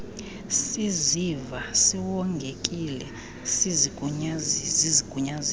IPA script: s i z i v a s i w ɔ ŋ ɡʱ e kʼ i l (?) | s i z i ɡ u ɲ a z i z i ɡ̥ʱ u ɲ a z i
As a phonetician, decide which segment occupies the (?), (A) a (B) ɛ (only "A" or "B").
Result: B